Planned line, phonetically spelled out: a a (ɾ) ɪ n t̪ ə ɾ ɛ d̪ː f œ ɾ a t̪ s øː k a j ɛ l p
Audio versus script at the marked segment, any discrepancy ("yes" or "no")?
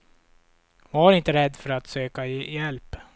no